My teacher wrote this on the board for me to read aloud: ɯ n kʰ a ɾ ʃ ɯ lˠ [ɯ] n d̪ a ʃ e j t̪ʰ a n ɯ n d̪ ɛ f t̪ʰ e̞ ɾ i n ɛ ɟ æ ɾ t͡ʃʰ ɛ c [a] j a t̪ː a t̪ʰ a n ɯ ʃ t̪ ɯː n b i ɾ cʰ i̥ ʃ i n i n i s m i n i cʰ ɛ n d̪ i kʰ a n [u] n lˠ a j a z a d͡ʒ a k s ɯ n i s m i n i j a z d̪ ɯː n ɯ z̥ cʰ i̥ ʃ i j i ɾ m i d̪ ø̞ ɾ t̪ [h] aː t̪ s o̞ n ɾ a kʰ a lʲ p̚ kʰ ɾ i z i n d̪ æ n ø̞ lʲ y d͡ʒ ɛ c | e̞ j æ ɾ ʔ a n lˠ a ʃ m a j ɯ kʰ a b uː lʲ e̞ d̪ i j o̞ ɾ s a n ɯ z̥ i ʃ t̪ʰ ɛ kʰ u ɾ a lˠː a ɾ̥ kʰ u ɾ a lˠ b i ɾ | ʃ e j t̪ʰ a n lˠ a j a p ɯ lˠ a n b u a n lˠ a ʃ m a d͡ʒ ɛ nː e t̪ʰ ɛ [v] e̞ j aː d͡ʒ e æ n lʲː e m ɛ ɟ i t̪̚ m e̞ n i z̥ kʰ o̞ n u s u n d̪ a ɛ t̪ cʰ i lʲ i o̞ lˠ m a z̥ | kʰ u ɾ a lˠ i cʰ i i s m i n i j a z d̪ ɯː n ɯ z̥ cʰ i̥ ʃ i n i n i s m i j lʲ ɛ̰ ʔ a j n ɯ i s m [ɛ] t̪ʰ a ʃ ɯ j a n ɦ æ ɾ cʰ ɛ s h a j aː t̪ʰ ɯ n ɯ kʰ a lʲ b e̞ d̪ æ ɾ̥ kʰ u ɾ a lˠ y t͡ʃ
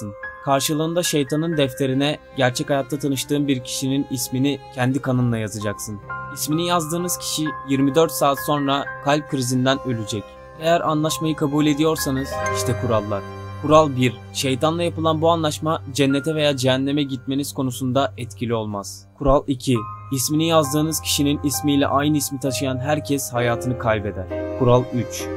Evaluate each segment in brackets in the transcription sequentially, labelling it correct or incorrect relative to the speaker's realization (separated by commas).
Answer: incorrect, correct, incorrect, incorrect, correct, incorrect